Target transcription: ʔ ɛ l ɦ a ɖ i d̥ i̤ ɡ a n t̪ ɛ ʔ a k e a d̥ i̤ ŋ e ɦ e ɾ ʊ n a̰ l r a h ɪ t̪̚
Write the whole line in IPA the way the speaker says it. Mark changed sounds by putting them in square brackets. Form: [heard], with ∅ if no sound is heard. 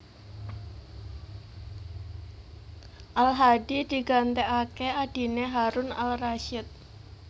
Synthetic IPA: ʔ [a] l ɦ a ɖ i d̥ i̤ ɡ a n t̪ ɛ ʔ a k e a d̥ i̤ [n] e ɦ [a] ɾ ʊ n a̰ l r a [ʃ] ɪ t̪̚